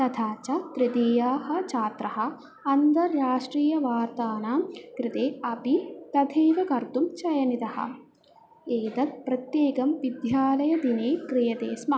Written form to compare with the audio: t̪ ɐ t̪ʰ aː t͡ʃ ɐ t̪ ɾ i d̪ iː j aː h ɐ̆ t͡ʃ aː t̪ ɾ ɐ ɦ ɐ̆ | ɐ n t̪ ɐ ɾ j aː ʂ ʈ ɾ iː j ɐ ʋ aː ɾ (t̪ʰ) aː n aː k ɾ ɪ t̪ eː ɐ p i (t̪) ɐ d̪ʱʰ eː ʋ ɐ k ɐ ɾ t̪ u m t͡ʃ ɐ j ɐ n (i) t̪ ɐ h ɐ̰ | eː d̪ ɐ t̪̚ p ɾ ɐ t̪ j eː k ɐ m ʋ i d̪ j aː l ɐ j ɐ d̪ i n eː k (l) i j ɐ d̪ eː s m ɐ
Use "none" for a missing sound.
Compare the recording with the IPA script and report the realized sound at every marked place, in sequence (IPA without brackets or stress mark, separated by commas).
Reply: t̪, t̪, i, ɾ